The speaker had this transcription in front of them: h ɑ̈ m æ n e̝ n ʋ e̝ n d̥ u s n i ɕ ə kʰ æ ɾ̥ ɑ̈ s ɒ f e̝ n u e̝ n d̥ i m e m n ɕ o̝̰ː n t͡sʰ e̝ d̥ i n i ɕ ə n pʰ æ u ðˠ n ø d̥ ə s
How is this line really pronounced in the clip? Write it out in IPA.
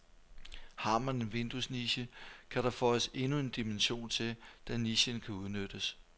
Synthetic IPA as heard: h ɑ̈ m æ n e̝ n ʋ e̝ n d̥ u s n i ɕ ə kʰ æ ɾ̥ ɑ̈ f ɒ s e̝ n u e̝ n d̥ i m e n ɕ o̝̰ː n t͡sʰ e̝ d̥ æ n i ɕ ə n kʰ æ u ðˠ n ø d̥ ə s